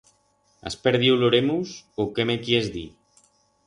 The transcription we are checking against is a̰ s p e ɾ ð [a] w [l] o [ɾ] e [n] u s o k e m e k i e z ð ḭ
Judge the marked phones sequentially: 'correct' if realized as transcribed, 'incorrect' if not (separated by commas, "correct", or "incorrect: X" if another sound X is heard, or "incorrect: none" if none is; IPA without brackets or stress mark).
incorrect: i, correct, correct, incorrect: m